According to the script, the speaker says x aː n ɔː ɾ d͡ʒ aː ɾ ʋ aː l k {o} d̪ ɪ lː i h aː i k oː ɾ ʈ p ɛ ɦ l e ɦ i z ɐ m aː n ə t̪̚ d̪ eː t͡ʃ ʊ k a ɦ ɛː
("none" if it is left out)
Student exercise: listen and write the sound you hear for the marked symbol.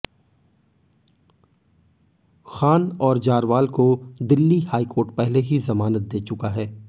o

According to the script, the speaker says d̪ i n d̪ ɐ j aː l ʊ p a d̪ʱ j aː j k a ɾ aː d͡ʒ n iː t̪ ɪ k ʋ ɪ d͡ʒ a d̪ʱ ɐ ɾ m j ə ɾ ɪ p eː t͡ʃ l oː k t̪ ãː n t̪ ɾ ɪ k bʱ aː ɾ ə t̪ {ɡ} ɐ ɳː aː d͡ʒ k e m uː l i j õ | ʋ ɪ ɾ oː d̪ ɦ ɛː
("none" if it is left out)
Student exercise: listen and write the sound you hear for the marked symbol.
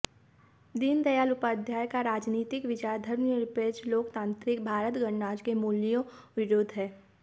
ɡ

